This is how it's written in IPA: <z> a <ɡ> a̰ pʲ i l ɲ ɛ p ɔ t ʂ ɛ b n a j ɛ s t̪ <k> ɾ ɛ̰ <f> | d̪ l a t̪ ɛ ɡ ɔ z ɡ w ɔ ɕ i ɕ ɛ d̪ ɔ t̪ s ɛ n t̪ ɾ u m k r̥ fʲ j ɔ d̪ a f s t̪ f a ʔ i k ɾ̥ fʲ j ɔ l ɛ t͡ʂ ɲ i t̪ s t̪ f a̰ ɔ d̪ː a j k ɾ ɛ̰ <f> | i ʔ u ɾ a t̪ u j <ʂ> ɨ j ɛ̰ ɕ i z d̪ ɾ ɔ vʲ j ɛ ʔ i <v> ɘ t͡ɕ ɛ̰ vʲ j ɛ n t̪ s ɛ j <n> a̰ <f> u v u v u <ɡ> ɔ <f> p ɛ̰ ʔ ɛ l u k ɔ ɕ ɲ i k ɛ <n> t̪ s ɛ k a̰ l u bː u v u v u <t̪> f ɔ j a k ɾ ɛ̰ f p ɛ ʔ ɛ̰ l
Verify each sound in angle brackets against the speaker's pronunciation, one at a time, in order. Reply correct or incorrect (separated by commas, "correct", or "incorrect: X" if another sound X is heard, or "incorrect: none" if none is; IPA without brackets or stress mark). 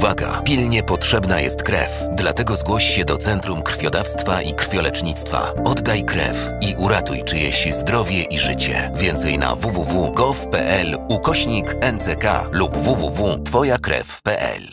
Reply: incorrect: v, correct, correct, correct, correct, incorrect: t͡ʂ, incorrect: ʐ, correct, incorrect: v, correct, correct, correct, correct